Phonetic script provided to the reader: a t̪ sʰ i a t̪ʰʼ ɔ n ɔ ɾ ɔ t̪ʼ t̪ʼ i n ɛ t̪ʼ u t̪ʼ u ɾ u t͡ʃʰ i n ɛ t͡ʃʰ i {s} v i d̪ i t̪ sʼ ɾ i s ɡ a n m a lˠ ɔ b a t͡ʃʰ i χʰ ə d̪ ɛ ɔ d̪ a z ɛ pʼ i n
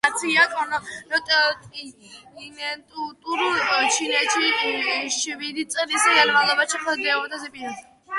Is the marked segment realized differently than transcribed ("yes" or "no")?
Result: yes